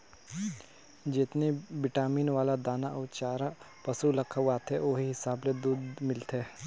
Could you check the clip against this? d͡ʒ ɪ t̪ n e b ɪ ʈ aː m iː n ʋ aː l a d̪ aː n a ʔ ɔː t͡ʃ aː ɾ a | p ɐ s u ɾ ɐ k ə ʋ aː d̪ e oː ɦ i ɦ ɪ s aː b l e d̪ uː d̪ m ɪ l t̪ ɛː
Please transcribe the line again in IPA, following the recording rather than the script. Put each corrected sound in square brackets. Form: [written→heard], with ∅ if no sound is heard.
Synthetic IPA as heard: d͡ʒ ɪ t̪ n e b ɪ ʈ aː m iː n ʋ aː l a d̪ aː n a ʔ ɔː t͡ʃ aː ɾ a | p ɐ s u [ɾ→l] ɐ [k→kʰ] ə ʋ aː [d̪→t̪] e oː ɦ i ɦ ɪ s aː b l e d̪ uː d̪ m ɪ l t̪ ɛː